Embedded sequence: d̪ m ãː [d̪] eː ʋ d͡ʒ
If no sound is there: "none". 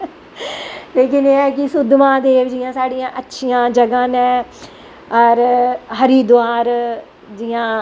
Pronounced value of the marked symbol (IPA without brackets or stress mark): d̪